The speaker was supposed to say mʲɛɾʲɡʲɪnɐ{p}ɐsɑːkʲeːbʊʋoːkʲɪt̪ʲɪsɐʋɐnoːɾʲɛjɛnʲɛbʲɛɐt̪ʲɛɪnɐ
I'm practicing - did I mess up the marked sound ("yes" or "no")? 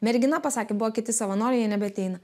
no